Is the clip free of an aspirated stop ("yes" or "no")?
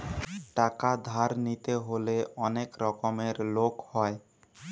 yes